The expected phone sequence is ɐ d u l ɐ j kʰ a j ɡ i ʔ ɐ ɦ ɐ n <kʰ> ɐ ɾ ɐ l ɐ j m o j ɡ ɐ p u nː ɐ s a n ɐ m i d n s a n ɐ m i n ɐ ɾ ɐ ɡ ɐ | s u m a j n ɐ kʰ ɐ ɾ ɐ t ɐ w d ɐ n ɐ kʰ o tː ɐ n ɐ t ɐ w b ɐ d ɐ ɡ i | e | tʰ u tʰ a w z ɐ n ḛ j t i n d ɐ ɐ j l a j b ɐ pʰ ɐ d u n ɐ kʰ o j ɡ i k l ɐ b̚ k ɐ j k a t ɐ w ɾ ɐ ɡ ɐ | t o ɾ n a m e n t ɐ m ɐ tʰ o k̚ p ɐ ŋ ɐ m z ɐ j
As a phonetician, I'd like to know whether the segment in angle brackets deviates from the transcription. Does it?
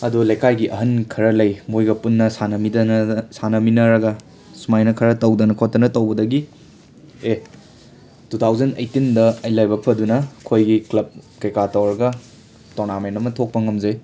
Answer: no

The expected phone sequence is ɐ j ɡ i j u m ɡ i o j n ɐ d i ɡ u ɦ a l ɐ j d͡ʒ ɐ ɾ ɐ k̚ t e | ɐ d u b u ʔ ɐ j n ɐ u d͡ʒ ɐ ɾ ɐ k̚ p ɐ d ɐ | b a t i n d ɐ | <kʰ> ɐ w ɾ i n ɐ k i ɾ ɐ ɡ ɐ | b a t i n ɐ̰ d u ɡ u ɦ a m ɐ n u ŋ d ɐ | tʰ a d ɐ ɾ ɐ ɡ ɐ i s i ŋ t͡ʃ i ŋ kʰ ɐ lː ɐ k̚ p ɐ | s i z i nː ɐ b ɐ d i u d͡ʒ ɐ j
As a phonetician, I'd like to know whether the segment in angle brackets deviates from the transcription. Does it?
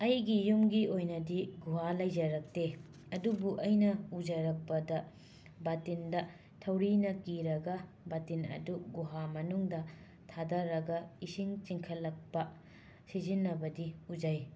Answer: yes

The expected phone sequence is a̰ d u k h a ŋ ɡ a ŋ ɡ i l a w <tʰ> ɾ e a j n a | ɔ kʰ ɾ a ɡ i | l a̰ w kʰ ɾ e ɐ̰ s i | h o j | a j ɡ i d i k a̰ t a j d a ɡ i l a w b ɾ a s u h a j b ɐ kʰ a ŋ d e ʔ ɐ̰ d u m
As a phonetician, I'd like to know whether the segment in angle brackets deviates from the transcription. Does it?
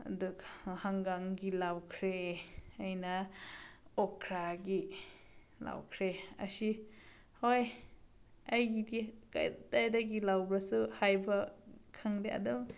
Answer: yes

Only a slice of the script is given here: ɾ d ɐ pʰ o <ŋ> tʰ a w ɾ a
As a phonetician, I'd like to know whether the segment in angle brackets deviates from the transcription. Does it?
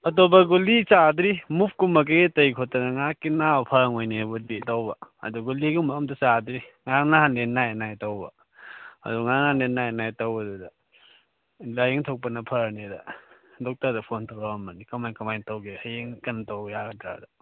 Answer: yes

